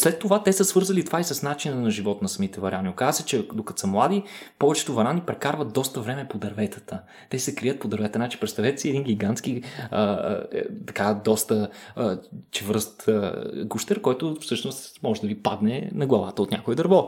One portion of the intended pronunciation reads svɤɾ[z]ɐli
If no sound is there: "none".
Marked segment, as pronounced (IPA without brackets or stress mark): z